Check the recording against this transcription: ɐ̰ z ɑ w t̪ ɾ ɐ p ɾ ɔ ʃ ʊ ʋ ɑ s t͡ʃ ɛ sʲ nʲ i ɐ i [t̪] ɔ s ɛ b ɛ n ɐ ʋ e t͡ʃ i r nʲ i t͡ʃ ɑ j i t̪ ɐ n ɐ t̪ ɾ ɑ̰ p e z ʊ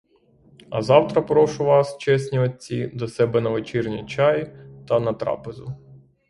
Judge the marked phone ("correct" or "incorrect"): incorrect